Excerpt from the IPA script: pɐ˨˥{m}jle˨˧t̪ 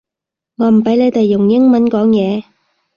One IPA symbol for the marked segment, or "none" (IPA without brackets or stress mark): none